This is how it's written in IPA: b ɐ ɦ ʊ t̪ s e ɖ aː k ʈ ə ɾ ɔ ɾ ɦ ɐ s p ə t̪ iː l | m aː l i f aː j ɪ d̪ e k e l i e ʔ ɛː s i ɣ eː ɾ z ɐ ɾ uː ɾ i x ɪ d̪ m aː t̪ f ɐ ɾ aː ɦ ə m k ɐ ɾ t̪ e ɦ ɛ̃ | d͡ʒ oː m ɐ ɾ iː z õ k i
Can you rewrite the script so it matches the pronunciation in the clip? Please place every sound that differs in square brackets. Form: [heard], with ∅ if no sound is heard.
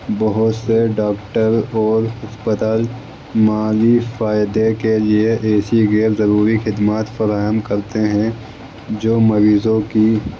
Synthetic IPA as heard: b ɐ ɦ ʊ t̪ s e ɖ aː k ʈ ə ɾ [ɔː] ɾ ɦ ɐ s p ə t̪ [aː] l | m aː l i f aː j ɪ d̪ e k e l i e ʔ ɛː s i ɣ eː ɾ z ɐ ɾ uː ɾ i x ɪ d̪ m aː t̪ f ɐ ɾ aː ɦ ə m k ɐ ɾ t̪ e ɦ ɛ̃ | d͡ʒ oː m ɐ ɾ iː z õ k i